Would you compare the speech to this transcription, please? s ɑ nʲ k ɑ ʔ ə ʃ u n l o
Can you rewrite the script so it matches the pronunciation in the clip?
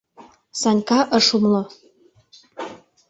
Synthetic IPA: s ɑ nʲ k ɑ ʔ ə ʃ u m l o